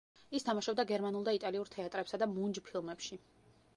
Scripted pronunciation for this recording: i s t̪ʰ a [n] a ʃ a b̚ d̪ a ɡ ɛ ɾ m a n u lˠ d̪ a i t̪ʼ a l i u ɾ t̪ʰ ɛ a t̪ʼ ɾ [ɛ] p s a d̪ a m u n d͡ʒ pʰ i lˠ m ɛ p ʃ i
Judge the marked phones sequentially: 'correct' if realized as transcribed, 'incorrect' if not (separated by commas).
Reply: incorrect, correct